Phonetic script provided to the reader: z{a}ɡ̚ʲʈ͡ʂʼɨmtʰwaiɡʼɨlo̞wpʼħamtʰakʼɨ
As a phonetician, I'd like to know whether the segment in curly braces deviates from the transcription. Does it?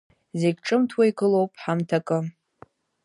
yes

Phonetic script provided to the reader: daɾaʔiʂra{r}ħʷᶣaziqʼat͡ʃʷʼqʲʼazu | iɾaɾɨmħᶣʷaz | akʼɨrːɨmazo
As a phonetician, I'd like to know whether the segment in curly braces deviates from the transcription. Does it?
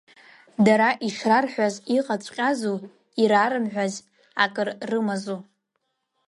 no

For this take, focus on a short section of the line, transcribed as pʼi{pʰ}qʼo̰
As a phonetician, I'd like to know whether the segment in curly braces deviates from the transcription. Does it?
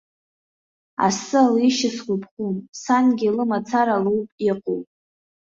yes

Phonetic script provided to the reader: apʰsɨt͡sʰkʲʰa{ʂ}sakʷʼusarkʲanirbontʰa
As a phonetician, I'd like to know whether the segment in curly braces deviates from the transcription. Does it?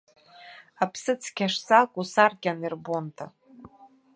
no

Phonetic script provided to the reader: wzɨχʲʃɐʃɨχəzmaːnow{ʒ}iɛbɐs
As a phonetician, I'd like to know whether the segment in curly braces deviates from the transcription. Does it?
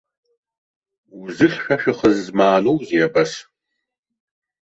yes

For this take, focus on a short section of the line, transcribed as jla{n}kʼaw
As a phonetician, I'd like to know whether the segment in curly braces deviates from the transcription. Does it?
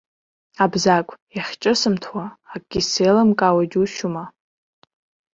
yes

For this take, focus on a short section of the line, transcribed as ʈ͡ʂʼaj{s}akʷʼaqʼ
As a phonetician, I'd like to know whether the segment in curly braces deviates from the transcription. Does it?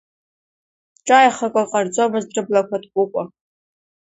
yes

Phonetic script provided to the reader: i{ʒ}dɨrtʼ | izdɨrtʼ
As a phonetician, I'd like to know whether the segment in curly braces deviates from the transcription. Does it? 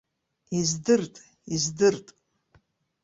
yes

